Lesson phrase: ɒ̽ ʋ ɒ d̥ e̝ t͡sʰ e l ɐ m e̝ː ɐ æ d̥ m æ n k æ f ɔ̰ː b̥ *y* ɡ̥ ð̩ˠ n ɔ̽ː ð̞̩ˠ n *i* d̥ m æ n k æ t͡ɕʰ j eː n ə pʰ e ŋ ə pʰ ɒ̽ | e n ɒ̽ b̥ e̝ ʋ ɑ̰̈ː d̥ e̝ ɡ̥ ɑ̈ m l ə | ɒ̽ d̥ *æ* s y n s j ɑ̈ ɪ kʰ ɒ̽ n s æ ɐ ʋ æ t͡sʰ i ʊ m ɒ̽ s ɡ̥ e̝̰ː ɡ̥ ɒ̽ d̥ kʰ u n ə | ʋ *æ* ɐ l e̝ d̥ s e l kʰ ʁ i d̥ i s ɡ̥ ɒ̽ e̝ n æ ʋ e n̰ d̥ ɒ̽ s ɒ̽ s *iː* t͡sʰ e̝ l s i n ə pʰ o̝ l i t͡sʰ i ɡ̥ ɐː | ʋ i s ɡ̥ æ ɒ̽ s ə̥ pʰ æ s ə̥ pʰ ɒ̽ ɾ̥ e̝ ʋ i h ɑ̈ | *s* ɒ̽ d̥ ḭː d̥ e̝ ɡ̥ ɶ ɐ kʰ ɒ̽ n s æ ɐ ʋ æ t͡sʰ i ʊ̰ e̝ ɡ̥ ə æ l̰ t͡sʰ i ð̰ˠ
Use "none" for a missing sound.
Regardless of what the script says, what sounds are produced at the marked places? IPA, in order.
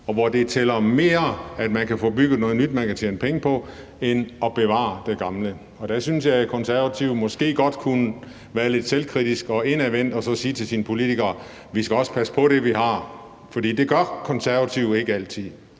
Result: y, y, æ, æː, iː, f

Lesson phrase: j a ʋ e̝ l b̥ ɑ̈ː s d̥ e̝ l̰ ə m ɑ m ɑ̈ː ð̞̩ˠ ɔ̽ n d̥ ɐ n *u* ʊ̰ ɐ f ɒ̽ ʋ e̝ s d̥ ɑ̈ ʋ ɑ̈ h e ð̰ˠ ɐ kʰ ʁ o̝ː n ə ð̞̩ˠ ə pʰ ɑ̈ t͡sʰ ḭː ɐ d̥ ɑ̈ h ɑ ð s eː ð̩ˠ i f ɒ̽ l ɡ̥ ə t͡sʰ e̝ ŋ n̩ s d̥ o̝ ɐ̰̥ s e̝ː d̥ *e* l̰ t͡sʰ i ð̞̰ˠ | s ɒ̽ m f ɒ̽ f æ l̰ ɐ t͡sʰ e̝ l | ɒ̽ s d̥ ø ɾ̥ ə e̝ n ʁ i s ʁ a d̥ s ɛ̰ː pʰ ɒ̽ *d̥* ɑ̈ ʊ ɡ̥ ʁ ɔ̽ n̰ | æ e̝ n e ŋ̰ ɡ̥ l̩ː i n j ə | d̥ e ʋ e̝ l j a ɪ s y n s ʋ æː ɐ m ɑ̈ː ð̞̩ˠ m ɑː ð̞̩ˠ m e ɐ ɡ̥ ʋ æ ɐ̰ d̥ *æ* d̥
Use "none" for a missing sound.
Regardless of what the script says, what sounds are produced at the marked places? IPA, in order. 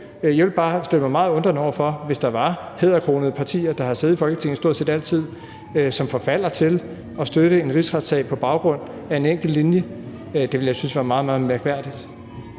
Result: ɒ, æ, b̥, i

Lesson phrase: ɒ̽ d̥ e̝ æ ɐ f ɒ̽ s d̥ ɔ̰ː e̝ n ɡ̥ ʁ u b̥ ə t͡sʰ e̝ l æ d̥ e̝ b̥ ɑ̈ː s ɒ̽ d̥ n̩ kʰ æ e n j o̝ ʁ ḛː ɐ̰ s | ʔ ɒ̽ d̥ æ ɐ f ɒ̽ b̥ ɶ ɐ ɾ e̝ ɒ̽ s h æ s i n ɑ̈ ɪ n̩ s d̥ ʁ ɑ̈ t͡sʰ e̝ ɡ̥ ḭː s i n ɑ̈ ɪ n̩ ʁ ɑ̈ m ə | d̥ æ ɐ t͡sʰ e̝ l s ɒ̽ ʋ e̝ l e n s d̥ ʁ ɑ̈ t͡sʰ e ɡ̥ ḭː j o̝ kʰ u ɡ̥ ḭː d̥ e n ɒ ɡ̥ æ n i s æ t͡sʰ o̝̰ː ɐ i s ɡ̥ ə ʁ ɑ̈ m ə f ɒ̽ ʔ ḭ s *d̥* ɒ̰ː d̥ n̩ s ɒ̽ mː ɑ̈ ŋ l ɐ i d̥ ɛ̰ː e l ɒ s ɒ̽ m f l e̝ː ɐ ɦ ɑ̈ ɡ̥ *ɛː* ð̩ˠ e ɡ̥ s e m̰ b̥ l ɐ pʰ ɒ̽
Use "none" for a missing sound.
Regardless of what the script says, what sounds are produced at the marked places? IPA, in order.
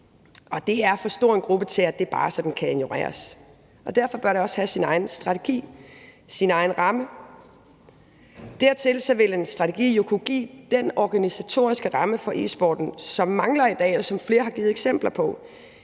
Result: b̥, iː

